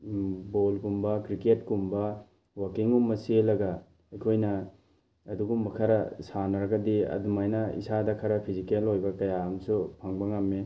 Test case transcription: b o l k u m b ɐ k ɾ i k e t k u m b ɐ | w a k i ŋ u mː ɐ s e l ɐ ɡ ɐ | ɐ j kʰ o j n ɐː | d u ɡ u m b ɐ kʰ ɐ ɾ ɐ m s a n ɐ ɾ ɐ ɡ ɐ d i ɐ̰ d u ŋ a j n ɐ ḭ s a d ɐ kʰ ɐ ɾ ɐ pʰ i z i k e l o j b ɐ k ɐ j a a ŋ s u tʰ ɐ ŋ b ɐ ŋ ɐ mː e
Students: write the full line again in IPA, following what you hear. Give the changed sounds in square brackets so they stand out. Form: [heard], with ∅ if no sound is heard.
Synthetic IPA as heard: b o l k u m b ɐ k ɾ i k e t k u m b ɐ | w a k i ŋ u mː ɐ s e l ɐ ɡ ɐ | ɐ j kʰ o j n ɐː | d u ɡ u m b ɐ kʰ ɐ ɾ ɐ [∅] s a n ɐ ɾ ɐ ɡ ɐ d i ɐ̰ d u [m] a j n ɐ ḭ s a d ɐ kʰ ɐ ɾ ɐ pʰ i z i k e l o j b ɐ k ɐ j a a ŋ s u [pʰ] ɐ ŋ b ɐ ŋ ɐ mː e